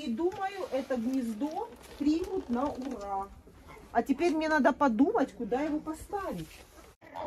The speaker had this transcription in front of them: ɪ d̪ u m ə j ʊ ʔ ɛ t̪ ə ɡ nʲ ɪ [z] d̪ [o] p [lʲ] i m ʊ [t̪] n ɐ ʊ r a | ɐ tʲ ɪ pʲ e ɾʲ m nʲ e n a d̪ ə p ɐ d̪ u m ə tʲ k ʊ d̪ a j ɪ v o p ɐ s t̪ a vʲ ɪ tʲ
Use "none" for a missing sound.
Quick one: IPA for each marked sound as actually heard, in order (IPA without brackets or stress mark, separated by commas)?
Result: z, o, ɾʲ, t̪